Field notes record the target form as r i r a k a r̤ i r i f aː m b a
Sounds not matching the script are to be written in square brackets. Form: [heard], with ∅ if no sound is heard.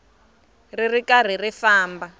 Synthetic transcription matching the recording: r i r [i] k a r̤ i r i f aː m b a